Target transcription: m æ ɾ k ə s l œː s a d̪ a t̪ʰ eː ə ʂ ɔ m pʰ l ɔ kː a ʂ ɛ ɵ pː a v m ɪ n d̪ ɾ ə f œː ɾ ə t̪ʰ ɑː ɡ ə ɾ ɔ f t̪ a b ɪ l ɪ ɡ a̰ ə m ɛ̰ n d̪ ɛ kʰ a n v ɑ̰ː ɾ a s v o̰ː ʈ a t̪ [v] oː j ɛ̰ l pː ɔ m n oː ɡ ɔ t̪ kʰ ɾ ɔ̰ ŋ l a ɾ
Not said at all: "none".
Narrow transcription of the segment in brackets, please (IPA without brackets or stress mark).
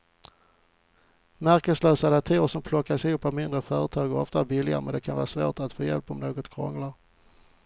f